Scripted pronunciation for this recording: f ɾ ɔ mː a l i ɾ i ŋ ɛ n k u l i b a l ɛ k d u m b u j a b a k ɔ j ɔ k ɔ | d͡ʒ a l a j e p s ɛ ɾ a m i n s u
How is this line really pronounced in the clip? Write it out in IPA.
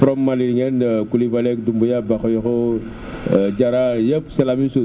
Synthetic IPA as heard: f ɾ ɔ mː a l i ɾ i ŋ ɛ n k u l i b a l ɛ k d u m b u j a b a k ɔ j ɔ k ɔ | d͡ʒ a ɾ a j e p s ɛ l a m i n s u